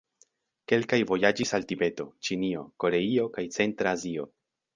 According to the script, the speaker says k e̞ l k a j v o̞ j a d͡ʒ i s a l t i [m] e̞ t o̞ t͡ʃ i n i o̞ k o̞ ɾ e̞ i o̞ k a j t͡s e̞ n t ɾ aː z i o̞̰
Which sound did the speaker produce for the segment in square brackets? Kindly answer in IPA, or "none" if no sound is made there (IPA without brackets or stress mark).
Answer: b